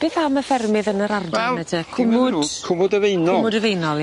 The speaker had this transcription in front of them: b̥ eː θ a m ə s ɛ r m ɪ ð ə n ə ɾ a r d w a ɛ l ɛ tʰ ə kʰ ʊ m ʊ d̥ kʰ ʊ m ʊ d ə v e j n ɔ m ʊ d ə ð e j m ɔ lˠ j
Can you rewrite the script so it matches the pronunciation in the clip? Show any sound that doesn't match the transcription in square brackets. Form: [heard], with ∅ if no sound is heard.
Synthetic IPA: b̥ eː θ a m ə [f] ɛ r m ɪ ð ə n ə ɾ a r d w a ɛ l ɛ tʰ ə kʰ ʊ m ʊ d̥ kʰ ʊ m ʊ d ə v e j n ɔ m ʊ d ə [v] e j [n] ɔ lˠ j